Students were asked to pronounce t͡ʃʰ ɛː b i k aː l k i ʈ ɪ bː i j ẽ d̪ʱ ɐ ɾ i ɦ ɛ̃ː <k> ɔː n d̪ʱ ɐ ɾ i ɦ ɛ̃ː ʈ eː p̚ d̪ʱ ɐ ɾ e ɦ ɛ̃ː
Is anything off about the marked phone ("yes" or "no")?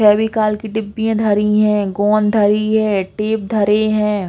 yes